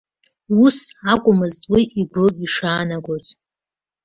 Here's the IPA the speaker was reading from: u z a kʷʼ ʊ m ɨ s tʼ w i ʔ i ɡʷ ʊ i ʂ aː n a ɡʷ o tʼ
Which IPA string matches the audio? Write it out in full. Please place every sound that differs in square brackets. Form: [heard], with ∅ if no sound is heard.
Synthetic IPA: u [s] a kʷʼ ʊ m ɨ [z] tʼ w i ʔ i ɡʷ ʊ i ʂ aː n a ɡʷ o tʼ